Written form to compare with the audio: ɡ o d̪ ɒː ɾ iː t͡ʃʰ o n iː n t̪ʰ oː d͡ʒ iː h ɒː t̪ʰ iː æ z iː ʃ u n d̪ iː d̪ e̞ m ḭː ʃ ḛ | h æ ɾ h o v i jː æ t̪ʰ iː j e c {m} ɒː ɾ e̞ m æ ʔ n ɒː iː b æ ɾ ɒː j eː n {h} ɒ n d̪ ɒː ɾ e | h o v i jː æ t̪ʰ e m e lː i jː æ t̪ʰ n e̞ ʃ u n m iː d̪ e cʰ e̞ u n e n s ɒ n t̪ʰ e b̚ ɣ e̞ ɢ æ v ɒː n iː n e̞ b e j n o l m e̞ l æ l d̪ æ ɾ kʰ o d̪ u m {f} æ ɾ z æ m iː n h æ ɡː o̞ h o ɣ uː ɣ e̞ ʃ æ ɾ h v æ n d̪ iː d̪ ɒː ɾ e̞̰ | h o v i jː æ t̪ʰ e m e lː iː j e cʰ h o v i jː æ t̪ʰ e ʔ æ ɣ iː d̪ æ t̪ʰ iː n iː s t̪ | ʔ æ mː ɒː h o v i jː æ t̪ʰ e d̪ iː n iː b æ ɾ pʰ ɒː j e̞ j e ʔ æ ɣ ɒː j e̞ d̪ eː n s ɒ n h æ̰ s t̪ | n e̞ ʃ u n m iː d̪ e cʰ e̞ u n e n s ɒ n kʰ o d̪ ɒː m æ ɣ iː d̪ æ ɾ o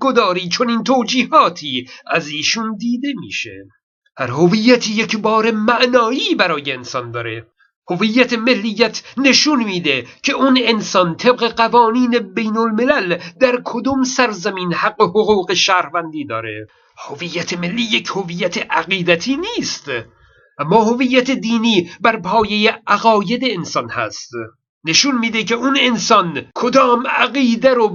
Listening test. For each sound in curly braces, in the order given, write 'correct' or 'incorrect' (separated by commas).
incorrect, incorrect, incorrect